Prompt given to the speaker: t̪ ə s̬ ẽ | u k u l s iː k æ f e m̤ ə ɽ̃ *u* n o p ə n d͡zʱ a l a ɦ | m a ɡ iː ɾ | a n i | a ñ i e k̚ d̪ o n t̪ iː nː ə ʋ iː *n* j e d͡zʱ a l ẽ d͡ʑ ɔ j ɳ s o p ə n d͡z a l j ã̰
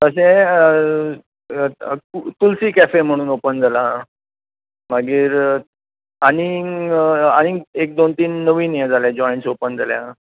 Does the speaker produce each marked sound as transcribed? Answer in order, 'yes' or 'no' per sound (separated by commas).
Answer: no, yes